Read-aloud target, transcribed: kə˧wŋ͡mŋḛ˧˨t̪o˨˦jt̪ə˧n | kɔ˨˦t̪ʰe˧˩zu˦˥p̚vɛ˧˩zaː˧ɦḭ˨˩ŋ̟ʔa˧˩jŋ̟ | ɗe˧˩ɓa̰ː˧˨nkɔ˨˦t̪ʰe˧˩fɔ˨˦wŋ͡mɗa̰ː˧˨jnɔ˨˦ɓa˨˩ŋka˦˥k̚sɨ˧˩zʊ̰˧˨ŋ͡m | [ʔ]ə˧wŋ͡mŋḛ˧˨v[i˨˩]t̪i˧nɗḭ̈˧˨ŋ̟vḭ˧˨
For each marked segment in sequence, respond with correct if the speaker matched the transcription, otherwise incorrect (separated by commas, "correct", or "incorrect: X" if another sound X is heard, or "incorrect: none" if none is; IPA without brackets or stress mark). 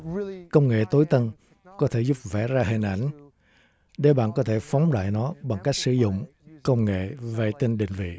incorrect: k, incorrect: e˨˩